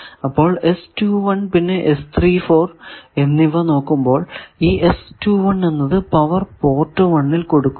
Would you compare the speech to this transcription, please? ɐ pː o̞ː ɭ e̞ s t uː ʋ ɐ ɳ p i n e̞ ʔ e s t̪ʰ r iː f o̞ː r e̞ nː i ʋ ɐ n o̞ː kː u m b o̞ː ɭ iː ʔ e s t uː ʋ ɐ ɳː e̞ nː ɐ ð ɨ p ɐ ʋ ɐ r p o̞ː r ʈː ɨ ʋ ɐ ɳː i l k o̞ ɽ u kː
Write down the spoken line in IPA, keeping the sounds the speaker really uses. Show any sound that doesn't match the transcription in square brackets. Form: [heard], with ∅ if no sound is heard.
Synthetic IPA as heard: ɐ pː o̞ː ɭ e̞ s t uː ʋ ɐ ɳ p i [nː] e̞ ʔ e s t̪ʰ r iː f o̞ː r e̞ nː i ʋ ɐ n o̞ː kː u m b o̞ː ɭ iː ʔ e s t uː ʋ ɐ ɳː e̞ nː ɐ ð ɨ p ɐ ʋ ɐ r p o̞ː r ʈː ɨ ʋ ɐ ɳː i l k o̞ ɽ u kː